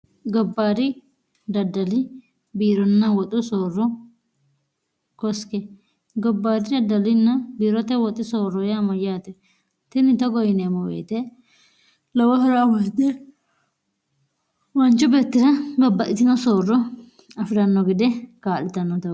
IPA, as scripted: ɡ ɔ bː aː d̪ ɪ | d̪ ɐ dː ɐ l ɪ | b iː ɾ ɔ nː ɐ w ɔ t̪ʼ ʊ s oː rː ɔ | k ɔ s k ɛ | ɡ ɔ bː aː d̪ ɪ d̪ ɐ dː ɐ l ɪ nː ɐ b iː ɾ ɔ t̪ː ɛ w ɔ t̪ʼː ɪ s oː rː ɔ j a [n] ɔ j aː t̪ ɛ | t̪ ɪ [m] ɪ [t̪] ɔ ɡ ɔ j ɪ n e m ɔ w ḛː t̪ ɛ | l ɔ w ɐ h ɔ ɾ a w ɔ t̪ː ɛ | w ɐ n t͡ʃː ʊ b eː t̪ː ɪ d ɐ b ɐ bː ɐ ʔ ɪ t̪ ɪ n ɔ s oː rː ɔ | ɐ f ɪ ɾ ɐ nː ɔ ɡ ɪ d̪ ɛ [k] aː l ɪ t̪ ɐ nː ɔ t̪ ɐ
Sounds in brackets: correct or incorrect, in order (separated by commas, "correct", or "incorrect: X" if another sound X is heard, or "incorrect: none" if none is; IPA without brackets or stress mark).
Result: incorrect: m, incorrect: n, correct, correct